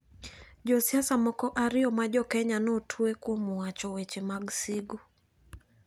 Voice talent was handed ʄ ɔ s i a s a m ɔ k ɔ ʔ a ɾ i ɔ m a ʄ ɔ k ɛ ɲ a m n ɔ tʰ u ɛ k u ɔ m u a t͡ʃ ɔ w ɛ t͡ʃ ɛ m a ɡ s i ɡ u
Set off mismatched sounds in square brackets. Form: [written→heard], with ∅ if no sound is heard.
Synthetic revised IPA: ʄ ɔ s i a s a m ɔ k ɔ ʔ a ɾ i ɔ m a ʄ ɔ k ɛ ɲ a [m→∅] n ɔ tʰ u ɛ k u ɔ m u a t͡ʃ ɔ w ɛ t͡ʃ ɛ m a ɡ s i ɡ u